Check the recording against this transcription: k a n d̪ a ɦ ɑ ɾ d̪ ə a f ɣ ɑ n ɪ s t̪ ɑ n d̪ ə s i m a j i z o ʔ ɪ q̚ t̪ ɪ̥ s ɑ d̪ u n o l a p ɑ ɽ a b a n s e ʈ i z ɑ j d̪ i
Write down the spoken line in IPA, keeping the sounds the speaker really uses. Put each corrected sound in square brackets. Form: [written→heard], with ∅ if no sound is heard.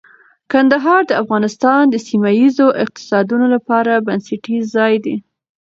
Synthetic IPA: k a n d̪ a ɦ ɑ ɾ d̪ ə a f ɣ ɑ n ɪ s t̪ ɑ n d̪ ə s i m a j i z o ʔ ɪ q̚ t̪ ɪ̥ s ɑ d̪ u n o l a p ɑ [ɽ→ɾ] a b a n s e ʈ i z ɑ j d̪ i

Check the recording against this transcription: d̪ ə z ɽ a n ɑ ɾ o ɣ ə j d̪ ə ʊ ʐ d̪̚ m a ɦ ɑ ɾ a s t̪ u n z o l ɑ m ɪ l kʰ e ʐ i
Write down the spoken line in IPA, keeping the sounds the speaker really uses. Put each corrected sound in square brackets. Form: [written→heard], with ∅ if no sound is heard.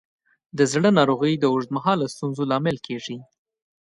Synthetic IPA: d̪ ə z ɽ [a→ə] n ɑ ɾ o ɣ ə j d̪ ə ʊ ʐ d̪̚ m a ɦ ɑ [ɾ→l] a s t̪ u n z o l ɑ m ɪ l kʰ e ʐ i

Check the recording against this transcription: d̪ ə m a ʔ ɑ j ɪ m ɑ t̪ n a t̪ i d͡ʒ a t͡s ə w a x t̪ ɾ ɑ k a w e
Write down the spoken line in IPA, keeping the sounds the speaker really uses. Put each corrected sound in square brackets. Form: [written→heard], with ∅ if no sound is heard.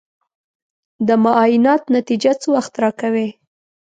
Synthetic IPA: d̪ ə m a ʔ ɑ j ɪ [m→n] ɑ t̪ n a t̪ i d͡ʒ a t͡s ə w a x t̪ ɾ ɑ k a w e

